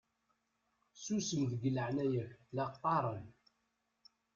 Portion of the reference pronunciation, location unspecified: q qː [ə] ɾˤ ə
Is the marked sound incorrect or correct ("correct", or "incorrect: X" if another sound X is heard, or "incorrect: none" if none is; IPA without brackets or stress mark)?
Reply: incorrect: ɑ